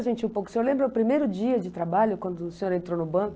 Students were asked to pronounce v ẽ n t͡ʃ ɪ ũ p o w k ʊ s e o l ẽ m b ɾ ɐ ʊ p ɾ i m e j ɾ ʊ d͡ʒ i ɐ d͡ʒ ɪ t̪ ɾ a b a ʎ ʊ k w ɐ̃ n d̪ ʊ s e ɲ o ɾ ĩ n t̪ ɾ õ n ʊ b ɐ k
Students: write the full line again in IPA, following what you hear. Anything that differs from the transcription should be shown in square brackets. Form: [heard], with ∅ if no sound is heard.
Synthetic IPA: [ʒ] ẽ n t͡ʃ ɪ ũ p o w k ʊ s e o l ẽ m b ɾ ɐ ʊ p ɾ i m e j ɾ ʊ d͡ʒ i ɐ d͡ʒ ɪ t̪ ɾ a b a ʎ ʊ k w ɐ̃ n d̪ ʊ s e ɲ o ɾ [ẽ] n t̪ ɾ [o] n ʊ b [ɐ̃] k